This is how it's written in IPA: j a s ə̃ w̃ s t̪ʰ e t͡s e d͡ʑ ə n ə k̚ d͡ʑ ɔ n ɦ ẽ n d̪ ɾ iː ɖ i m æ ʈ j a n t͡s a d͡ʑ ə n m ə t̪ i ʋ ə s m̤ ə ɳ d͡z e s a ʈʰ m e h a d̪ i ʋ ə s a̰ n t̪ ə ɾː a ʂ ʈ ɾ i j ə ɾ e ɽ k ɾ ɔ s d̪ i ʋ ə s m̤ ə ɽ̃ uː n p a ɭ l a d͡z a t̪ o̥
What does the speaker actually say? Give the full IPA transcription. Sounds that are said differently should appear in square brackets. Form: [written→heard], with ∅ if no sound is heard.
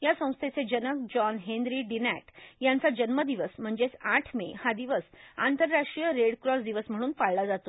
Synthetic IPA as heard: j a s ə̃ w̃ s t̪ʰ e t͡s e d͡ʑ ə n ə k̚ d͡ʑ ɔ n ɦ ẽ n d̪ ɾ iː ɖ i [m→n] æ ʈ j a n t͡s a d͡ʑ ə n m ə [t̪→d̪] i ʋ ə s m̤ ə ɳ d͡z e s a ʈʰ m e h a d̪ i ʋ ə s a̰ n t̪ ə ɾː a ʂ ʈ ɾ i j ə ɾ e ɽ k ɾ ɔ s d̪ i ʋ ə s m̤ ə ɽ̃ uː n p a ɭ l a d͡z a t̪ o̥

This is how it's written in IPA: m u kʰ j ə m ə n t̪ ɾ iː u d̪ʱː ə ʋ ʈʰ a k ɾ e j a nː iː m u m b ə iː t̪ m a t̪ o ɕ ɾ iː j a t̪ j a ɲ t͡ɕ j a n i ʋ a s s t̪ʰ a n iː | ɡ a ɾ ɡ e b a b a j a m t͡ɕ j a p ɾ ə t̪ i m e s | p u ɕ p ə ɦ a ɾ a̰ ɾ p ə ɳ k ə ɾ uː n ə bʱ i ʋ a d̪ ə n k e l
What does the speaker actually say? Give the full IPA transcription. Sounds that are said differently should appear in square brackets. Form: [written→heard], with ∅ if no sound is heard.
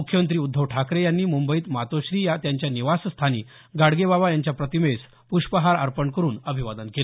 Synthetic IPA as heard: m u kʰ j ə m ə n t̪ ɾ iː u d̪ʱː ə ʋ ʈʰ a k ɾ e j a nː iː m u m b ə iː t̪ m a t̪ o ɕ ɾ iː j a t̪ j a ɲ t͡ɕ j a n i ʋ a s s t̪ʰ a n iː | ɡ a [ɾ→ɽ] ɡ e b a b a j a [m→ɲ] t͡ɕ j a p ɾ ə t̪ i m e s | p u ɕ p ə ɦ a ɾ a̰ ɾ p ə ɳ k ə ɾ uː n ə bʱ i ʋ a d̪ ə n k e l

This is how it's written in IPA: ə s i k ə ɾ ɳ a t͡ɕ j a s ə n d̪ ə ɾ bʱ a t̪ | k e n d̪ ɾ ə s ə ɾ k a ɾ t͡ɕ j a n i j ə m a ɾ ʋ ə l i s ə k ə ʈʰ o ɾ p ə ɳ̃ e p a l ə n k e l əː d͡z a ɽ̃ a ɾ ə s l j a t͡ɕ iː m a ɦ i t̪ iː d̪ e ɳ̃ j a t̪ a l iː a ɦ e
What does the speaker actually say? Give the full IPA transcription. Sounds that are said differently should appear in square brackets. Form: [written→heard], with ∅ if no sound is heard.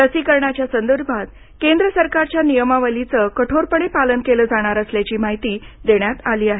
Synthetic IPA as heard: ə s i k ə ɾ ɳ a t͡ɕ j a s ə n d̪ ə ɾ bʱ a t̪ | k e n d̪ ɾ ə s ə ɾ k a ɾ t͡ɕ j a n i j ə m a [ɾ→∅] ʋ ə l i [s→t͡s] ə k ə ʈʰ o ɾ p ə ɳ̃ e p a l ə n k e l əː d͡z a ɽ̃ a ɾ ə s l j a t͡ɕ iː m a ɦ i t̪ iː d̪ e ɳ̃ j a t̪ a l iː a ɦ e

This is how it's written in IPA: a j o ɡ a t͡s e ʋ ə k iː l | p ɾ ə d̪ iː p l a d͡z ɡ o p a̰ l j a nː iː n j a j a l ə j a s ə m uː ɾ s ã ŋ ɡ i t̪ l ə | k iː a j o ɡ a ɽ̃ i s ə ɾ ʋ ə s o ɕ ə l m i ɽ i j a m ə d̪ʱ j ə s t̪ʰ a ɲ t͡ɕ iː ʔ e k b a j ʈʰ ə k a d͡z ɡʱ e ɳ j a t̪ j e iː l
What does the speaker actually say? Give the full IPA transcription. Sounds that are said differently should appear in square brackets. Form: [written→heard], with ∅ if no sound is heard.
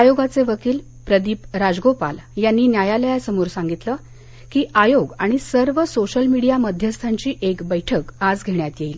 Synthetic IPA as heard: a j o ɡ a t͡s e ʋ ə k iː l | p ɾ ə d̪ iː p [l→ɾ] a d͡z ɡ o p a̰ l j a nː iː n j a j a l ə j a s ə m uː ɾ s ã ŋ ɡ i t̪ l ə | k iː a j o ɡ a ɽ̃ i s ə ɾ ʋ ə s o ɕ ə l m i ɽ i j a m ə d̪ʱ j ə s t̪ʰ a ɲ t͡ɕ iː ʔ e k b [a→ə] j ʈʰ ə k a d͡z ɡʱ e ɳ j a t̪ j e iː l

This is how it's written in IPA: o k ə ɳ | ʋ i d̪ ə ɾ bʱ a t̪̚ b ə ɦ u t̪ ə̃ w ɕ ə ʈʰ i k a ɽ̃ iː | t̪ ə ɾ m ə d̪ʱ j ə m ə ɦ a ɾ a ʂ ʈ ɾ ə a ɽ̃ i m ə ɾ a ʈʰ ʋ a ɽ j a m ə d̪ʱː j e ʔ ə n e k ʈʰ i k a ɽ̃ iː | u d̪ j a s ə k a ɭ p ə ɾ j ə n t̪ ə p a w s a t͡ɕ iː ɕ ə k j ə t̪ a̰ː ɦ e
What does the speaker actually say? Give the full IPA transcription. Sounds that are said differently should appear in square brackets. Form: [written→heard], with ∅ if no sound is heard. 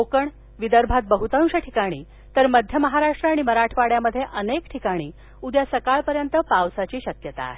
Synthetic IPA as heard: o k ə ɳ | ʋ i d̪ ə ɾ bʱ a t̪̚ b ə ɦ u t̪ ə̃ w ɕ ə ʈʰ i k a ɽ̃ iː | t̪ ə ɾ m ə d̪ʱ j ə m ə ɦ a ɾ a ʂ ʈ ɾ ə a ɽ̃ i m ə ɾ a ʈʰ ʋ a ɽ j a m ə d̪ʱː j e ʔ ə n e k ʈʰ i k a ɽ̃ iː | u d̪ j a s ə k a ɭ p ə ɾ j ə n t̪ ə p a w s a t͡ɕ iː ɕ ə k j ə t̪ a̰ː ɦ e

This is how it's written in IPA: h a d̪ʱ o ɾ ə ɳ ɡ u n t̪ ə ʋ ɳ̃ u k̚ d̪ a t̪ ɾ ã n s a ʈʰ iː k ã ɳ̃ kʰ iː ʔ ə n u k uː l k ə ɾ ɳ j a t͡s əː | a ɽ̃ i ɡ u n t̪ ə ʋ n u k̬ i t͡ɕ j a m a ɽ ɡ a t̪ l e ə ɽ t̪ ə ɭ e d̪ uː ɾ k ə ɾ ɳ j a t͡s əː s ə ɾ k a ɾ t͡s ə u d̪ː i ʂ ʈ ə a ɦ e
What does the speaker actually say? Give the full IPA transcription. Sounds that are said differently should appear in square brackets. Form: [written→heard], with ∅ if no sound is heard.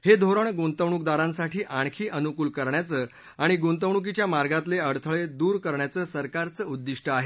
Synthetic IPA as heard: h [a→e] d̪ʱ o ɾ ə ɳ ɡ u n t̪ ə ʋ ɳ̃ u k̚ d̪ a [t̪→∅] ɾ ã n s a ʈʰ iː [k→ʔ] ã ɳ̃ kʰ iː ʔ ə n u k uː l k ə ɾ ɳ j a t͡s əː | a ɽ̃ i ɡ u n t̪ ə ʋ [n→ɳ] u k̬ i t͡ɕ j a m a [ɽ→ɾ] ɡ a t̪ l e ə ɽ [t̪→t̪ʰ] ə ɭ e d̪ uː ɾ k ə ɾ ɳ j a t͡s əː s ə ɾ k a ɾ t͡s ə u d̪ː i ʂ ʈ ə a ɦ e

